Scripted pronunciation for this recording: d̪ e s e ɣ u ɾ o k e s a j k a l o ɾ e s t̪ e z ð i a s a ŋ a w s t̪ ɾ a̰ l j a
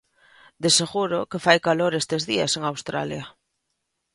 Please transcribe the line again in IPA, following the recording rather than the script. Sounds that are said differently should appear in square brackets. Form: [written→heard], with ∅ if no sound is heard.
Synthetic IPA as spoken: d̪ e s e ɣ u ɾ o k e [s→f] a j k a l o ɾ e s t̪ e z ð i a s [a→e] ŋ a w s t̪ ɾ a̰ l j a